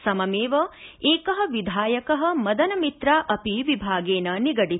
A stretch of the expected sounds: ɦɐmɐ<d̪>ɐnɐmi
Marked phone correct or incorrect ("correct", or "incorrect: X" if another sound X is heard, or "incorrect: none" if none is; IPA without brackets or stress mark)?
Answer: correct